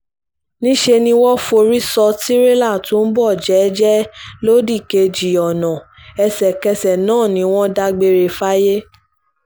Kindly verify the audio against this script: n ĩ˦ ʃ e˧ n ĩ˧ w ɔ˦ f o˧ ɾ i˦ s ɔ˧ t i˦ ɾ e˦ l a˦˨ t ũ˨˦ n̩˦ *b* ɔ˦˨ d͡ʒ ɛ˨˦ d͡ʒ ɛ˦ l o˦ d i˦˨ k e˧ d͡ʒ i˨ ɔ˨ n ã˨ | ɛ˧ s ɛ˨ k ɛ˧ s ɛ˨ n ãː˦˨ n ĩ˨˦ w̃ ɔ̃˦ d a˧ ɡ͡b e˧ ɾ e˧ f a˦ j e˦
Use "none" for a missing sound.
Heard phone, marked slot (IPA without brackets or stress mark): b